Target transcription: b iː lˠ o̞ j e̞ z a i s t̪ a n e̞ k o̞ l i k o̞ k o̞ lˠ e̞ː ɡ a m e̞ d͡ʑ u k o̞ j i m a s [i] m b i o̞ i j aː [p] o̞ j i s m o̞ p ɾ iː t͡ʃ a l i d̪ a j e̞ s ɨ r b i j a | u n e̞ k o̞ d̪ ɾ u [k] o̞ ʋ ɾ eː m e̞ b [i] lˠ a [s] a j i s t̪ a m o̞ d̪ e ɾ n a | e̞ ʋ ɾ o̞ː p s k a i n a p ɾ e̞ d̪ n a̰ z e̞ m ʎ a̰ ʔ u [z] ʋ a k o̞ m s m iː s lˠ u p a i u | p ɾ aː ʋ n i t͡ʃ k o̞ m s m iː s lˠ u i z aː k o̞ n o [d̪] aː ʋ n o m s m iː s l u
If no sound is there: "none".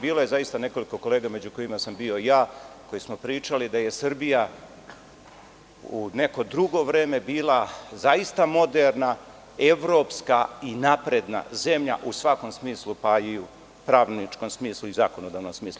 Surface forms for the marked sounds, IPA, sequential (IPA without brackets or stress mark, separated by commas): a, k, ɡ, iː, z, s, d̪